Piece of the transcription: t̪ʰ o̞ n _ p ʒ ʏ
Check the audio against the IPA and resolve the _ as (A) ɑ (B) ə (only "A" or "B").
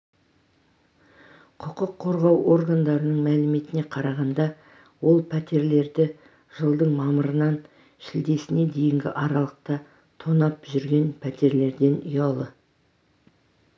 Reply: A